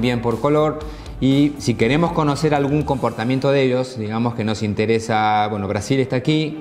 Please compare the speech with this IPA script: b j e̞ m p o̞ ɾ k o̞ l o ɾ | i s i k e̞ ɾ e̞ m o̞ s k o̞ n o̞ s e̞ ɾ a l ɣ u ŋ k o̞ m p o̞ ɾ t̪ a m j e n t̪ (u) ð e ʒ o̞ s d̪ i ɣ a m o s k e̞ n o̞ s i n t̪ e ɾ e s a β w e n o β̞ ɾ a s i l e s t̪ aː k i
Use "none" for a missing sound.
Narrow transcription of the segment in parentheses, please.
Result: o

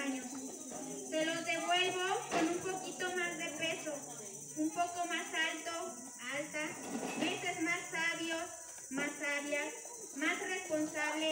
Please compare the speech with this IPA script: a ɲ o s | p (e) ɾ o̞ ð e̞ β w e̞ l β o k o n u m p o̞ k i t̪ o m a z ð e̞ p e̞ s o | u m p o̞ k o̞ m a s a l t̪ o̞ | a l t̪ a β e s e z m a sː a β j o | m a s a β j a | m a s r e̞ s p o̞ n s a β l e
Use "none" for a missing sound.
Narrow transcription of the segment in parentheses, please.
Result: e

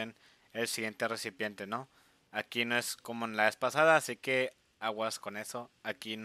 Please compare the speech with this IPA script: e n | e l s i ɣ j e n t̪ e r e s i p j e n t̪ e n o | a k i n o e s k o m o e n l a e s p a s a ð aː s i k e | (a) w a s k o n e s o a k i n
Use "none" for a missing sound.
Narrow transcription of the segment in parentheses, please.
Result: a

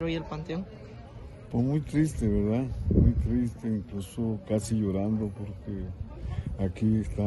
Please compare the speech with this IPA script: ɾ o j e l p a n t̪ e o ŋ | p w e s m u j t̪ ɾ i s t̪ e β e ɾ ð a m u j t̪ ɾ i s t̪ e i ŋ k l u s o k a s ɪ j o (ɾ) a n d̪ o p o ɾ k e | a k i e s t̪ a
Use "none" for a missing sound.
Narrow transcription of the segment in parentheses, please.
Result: ɾ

